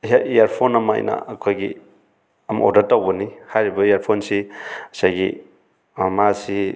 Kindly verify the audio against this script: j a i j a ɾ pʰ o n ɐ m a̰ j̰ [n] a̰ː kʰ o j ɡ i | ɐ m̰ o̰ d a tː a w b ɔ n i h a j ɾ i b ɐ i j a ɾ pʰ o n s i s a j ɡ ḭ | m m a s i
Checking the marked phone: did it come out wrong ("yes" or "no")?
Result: no